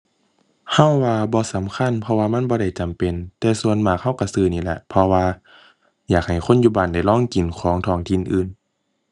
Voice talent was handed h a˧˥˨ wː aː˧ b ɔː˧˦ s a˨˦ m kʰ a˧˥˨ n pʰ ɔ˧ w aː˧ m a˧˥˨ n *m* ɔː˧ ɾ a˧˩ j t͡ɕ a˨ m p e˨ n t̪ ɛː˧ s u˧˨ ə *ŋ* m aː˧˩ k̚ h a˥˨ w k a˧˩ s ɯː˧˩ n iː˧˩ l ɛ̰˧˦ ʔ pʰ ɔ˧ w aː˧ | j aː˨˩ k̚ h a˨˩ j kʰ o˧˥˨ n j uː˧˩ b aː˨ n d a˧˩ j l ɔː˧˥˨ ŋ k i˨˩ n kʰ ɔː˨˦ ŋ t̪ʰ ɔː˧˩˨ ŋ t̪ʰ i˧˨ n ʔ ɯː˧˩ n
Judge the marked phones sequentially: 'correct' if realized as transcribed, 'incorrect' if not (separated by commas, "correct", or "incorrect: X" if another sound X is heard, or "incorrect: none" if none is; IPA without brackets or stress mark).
incorrect: b, incorrect: n